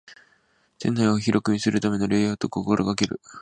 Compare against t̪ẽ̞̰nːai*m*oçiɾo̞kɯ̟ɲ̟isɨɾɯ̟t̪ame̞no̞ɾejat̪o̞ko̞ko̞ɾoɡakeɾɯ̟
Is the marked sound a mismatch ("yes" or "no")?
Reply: yes